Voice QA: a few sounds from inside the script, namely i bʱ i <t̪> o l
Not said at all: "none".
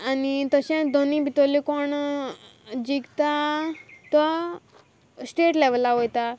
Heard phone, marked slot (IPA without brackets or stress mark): t̪